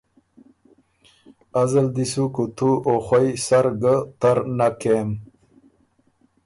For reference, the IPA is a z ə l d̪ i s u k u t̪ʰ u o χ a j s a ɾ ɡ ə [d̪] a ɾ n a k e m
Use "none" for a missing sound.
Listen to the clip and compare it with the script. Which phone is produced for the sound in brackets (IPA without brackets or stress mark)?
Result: t̪